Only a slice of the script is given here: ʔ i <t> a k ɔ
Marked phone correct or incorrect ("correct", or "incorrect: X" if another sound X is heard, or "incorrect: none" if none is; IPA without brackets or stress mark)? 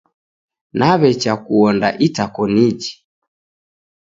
correct